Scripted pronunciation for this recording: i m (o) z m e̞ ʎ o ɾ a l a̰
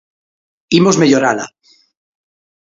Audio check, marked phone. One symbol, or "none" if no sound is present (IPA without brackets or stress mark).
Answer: o